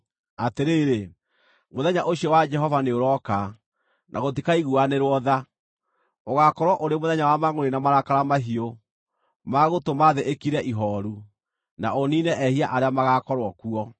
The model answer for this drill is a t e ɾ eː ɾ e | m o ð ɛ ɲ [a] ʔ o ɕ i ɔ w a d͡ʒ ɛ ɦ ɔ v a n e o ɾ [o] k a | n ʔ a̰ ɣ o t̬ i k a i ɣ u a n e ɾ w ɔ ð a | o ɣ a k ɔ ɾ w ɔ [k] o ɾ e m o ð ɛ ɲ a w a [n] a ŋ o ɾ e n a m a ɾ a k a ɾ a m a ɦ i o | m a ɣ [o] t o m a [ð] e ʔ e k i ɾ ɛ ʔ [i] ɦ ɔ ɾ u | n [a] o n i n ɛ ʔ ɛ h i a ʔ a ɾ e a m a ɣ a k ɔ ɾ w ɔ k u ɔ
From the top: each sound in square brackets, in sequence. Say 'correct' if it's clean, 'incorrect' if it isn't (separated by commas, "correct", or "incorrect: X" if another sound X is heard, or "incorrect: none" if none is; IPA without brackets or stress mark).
correct, incorrect: ɔ, incorrect: ʔ, incorrect: m, correct, correct, correct, correct